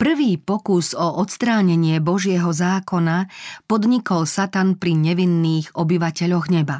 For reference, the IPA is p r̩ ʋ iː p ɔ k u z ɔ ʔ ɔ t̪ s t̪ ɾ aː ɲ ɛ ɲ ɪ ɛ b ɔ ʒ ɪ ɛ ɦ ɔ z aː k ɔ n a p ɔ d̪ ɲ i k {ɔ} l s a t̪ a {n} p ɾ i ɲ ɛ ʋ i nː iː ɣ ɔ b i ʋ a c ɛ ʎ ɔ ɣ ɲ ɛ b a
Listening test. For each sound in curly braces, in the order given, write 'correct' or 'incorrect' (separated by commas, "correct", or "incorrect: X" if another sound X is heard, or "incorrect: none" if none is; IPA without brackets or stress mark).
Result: correct, correct